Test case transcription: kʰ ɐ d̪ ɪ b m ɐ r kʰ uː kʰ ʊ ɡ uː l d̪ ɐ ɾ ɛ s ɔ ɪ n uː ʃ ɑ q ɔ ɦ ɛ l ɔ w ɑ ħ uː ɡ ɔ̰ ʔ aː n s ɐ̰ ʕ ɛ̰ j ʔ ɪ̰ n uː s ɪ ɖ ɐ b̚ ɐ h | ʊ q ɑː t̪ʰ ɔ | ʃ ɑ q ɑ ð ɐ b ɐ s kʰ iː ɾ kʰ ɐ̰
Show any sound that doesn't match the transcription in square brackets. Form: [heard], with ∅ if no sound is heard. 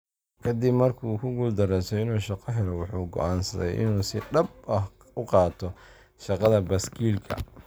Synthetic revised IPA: kʰ ɐ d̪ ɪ b m ɐ r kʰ uː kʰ ʊ ɡ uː l d̪ ɐ ɾ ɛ s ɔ ɪ n uː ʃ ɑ q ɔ ɦ ɛ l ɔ w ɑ ħ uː ɡ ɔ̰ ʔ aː n s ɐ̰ [ð] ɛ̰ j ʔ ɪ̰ n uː s ɪ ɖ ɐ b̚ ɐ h | ʊ q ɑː t̪ʰ ɔ | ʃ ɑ q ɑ ð ɐ b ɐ s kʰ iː [l] kʰ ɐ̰